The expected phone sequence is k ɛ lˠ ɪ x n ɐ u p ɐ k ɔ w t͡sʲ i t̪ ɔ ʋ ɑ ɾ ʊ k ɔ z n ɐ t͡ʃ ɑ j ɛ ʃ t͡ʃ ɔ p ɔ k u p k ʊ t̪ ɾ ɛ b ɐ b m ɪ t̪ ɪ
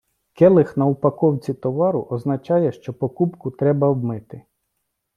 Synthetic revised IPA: k ɛ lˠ ɪ x n ɐ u p ɐ k ɔ w t͡sʲ i t̪ ɔ ʋ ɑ ɾ ʊ ʔ ɔ z n ɐ t͡ʃ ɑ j ɛ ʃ t͡ʃ ɔ p ɔ k u p k ʊ t̪ ɾ ɛ b ɐ b m ɪ t̪ ɪ